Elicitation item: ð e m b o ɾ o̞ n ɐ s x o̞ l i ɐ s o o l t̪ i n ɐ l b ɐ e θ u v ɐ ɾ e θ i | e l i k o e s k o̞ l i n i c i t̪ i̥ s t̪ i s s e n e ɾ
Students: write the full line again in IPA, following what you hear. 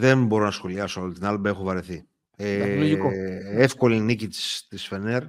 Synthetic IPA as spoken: ð e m b o ɾ o̞ n ɐ s x o̞ l i ɐ s o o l t̪ i n ɐ l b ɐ e x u v ɐ ɾ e θ i | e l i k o e f k o̞ l i n i c i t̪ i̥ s t̪ i s f e n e ɾ